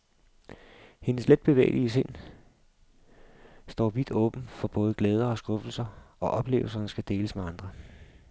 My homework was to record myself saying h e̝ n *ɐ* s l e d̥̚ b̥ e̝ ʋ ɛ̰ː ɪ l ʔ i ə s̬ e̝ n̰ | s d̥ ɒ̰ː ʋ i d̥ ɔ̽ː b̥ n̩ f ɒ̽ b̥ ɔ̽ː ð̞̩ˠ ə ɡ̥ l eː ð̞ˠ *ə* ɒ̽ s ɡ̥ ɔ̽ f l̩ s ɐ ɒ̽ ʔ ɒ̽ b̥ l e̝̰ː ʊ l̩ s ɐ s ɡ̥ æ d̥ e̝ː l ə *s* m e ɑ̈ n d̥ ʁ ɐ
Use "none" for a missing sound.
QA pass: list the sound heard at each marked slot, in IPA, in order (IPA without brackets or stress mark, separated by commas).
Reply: ə, ɐ, s